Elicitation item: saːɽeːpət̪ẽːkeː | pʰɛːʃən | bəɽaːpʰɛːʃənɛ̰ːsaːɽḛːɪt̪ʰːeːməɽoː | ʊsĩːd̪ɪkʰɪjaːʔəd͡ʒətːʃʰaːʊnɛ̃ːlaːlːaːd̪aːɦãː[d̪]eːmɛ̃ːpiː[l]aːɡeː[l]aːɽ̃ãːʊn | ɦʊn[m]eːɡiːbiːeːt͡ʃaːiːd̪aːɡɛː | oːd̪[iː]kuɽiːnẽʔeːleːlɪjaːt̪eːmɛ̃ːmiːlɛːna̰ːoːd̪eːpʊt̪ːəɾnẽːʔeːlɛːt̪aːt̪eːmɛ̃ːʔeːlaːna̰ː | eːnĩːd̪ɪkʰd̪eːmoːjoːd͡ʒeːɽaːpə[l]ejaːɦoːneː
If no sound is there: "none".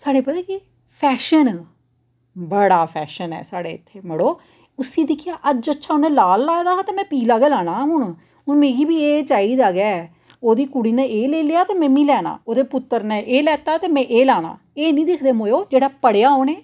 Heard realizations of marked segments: t̪, l, l, m, iː, ɽ

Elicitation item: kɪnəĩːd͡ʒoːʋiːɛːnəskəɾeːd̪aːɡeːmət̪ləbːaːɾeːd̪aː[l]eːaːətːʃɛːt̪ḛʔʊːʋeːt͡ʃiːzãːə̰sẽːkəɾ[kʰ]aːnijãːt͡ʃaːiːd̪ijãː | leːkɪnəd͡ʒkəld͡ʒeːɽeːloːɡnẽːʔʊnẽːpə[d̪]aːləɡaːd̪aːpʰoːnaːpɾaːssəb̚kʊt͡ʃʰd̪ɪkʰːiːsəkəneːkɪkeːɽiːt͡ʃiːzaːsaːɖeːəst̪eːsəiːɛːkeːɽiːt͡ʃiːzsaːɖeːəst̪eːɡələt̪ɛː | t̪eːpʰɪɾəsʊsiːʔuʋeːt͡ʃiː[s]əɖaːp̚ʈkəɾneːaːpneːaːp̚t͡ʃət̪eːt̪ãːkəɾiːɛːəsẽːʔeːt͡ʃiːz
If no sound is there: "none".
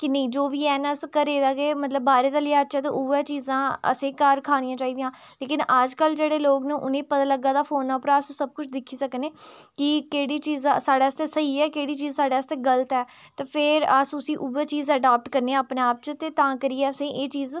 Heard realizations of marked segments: l, kʰ, t̪, z

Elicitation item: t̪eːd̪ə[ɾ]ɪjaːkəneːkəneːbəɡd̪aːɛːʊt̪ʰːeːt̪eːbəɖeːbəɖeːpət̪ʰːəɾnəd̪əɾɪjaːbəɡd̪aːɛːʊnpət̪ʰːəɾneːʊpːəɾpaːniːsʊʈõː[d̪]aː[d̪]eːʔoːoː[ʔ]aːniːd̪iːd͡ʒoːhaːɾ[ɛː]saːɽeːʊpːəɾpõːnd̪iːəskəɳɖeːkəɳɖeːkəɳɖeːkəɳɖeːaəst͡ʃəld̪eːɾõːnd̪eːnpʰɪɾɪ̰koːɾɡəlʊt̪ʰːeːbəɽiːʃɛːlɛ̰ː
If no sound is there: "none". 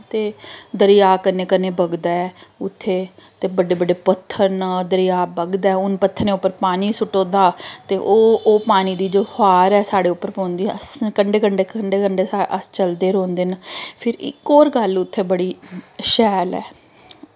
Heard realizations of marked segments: ɾ, d̪, t̪, p, ɛː

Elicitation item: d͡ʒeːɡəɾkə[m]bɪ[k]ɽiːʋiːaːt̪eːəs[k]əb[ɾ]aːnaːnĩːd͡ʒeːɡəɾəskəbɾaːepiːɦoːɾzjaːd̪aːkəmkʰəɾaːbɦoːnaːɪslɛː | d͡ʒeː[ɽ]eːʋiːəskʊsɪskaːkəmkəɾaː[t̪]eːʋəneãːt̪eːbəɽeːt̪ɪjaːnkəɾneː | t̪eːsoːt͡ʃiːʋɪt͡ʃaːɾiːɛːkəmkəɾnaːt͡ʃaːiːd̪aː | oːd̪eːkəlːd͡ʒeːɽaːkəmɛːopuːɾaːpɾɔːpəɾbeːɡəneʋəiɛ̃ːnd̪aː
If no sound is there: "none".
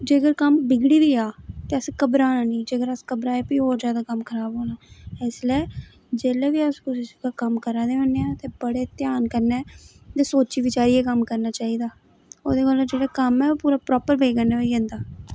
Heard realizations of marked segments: m, ɡ, k, ɾ, l, d̪

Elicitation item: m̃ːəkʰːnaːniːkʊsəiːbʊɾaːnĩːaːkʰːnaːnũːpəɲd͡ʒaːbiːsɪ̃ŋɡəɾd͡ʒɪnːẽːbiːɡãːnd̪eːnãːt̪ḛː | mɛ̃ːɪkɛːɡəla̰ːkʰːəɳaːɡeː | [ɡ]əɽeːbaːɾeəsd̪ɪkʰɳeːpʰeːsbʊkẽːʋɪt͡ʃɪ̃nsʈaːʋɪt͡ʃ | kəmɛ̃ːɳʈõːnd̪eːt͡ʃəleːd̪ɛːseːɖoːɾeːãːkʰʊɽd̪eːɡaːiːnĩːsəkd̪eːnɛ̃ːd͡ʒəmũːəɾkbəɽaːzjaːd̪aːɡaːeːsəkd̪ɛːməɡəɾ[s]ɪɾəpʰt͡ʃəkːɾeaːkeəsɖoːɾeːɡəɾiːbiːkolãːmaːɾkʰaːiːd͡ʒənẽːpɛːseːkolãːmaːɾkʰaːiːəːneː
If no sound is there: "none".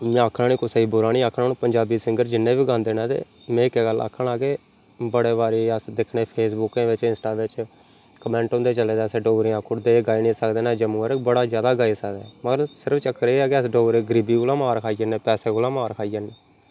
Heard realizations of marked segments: b, s

